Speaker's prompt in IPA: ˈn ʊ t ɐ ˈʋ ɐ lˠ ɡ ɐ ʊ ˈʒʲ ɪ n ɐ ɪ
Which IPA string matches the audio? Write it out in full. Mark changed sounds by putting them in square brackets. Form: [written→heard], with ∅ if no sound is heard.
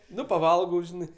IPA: ˈn ʊ [t→p] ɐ ˈʋ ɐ lˠ ɡ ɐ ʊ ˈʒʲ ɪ n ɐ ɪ